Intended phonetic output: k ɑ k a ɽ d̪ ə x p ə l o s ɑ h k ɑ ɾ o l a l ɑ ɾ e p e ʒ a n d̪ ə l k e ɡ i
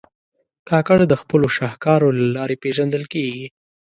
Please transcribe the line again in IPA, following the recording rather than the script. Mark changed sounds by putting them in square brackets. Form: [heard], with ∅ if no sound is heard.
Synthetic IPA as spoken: k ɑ k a ɽ d̪ ə x p ə l o [ʃ] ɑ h k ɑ ɾ o l a l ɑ ɾ e p e ʒ a n d̪ ə l k e ɡ i